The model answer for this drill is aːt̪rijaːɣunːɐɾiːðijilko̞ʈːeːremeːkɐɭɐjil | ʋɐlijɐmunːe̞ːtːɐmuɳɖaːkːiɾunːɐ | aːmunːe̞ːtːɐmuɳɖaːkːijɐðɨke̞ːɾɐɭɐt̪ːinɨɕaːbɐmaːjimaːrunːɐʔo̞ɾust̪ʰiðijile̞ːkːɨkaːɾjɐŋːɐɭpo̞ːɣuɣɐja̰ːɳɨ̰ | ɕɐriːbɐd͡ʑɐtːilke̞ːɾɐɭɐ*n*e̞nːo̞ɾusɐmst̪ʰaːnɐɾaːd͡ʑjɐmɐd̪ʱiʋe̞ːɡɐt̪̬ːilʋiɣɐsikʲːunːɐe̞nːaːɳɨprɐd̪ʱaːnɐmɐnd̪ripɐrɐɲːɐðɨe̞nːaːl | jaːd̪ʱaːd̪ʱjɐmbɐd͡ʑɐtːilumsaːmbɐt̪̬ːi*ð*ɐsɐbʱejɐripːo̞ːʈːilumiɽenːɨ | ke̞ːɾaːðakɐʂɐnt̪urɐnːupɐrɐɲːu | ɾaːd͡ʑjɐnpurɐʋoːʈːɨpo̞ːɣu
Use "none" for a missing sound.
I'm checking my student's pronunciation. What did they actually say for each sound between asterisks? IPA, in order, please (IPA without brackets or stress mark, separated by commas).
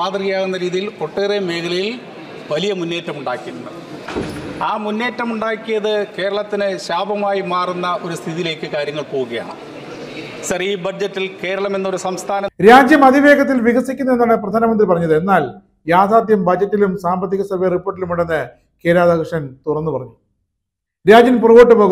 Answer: m, ɣ